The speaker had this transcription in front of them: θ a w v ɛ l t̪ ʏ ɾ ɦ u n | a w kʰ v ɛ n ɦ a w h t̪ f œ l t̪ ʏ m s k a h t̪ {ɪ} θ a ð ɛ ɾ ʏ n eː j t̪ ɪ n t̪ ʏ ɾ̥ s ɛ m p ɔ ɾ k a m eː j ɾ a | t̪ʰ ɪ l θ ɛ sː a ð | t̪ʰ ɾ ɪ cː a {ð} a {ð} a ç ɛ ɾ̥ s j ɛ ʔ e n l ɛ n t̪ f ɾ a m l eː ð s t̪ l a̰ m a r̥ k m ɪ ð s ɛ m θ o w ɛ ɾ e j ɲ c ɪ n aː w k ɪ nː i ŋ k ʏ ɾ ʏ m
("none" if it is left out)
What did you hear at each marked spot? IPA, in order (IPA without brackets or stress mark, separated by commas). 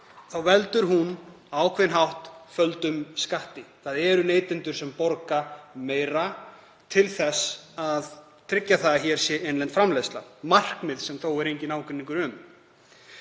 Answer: ɪ, θ, ð